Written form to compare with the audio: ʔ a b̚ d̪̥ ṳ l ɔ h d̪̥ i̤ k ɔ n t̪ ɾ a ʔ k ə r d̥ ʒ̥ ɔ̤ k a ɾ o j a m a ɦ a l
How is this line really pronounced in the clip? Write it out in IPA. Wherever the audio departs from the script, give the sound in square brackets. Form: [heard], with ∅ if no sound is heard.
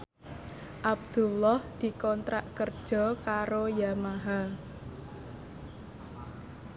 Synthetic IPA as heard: ʔ a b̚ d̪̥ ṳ l ɔ h d̪̥ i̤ k ɔ n t̪ ɾ a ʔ k ə r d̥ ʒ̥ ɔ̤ k a ɾ o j a m a ɦ a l